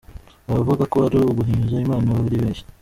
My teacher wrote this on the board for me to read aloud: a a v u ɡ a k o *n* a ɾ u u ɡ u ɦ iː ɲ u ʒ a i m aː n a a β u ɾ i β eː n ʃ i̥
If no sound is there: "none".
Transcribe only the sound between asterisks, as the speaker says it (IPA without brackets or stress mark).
none